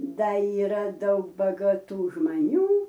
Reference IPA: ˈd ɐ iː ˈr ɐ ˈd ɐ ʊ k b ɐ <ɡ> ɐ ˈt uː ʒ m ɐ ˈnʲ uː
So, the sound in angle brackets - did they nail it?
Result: yes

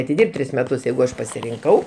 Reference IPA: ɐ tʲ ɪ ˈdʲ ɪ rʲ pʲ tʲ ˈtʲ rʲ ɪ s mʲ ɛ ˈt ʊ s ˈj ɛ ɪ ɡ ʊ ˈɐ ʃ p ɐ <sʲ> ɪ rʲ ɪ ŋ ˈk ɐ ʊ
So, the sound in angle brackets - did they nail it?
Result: yes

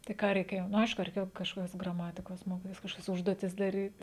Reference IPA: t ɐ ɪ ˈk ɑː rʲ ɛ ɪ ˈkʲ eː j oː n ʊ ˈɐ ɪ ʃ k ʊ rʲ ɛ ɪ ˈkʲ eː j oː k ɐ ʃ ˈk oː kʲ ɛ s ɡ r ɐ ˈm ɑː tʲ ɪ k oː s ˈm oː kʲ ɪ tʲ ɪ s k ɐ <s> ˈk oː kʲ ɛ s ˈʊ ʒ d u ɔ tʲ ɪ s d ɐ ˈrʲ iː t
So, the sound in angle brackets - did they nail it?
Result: no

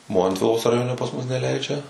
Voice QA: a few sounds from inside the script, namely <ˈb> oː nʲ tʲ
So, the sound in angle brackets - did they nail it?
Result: no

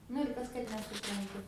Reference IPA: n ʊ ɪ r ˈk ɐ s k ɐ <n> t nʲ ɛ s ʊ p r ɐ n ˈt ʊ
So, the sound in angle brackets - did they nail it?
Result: no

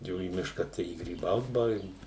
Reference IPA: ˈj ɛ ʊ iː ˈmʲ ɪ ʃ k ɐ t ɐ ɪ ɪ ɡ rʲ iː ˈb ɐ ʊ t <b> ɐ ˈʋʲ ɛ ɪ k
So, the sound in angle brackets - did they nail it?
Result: yes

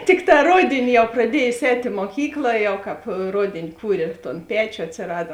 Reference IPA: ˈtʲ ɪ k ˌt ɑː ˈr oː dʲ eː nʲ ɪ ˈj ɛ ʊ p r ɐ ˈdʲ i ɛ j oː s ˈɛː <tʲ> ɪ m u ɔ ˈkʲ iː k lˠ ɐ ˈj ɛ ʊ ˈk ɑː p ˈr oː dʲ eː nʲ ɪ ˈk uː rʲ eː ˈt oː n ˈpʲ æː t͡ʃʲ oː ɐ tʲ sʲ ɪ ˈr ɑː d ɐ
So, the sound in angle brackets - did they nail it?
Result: yes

